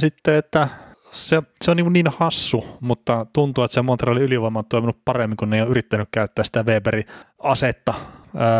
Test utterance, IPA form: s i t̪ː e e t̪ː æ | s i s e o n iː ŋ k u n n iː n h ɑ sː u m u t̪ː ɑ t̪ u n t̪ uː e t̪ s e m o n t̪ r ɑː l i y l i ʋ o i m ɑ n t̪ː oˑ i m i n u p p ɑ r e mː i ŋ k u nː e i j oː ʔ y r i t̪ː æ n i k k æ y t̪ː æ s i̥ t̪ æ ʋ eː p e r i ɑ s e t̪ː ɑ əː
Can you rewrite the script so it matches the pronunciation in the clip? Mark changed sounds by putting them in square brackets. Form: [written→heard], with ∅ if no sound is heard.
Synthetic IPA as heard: s i t̪ː e e t̪ː æ | s [i→e] s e o n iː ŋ k u n n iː n h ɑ sː u m u t̪ː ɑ t̪ u n t̪ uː e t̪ s e m o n t̪ r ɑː l i y l i ʋ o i m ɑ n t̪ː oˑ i m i n u p p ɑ r e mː i ŋ k u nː e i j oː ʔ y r i t̪ː æ n [i→y] k k æ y t̪ː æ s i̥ t̪ æ ʋ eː p e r i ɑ s e t̪ː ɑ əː